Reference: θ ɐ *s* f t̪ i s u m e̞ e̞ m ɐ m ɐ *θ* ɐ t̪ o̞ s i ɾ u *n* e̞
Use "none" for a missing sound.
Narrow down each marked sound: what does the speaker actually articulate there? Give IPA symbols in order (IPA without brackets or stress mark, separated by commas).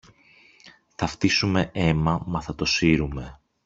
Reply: none, θ, m